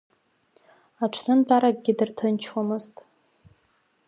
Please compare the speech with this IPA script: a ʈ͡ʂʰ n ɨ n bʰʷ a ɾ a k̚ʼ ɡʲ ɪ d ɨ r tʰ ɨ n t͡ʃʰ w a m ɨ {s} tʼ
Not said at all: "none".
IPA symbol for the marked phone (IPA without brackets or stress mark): z